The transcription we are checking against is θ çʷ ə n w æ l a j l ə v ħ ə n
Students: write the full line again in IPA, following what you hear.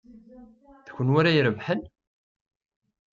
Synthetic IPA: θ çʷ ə n w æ ɾ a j ɾ ə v ħ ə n